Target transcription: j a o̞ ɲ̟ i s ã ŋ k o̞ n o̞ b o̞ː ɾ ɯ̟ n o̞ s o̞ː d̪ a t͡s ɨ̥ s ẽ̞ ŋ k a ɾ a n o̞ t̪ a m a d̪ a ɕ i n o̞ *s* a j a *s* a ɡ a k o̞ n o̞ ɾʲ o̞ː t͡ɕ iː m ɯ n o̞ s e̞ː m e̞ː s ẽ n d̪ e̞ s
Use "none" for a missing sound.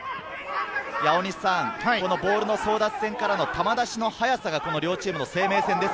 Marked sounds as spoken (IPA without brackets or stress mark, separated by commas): h, s